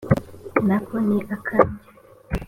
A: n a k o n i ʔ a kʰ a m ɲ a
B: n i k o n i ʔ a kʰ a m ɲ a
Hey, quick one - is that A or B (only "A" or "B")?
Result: A